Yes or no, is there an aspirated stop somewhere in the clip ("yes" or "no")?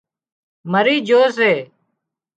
no